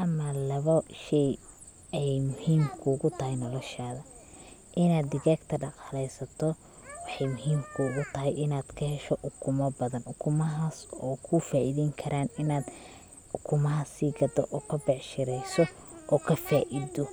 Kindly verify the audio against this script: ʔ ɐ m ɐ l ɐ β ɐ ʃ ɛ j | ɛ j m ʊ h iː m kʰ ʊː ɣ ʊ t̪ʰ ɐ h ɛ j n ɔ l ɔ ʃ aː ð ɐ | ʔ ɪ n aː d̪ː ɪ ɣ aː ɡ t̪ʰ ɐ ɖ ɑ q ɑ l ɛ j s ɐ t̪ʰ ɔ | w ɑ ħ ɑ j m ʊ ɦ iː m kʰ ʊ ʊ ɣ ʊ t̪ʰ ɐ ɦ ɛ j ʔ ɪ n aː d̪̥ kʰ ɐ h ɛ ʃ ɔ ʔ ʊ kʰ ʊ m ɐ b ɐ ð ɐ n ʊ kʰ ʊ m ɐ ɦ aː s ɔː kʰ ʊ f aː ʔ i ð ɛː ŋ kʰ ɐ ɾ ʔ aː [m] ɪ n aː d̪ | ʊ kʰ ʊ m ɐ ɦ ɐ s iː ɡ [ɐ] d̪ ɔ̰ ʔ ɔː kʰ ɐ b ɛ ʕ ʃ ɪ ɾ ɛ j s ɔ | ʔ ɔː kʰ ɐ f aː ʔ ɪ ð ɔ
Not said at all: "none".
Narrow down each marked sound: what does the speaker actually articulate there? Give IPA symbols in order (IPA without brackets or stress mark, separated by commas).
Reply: n, ɐ